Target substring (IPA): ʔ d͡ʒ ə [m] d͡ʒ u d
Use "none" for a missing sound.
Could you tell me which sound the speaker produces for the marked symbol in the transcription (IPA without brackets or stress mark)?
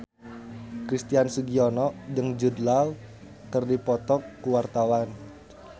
ŋ